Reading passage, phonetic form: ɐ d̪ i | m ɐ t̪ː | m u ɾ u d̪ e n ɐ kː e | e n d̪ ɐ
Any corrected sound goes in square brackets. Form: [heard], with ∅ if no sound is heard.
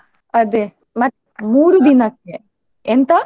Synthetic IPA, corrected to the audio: ɐ d̪ [e] | m ɐ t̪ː | m [uː] ɾ u d̪ [i] n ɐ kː e | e n [t̪] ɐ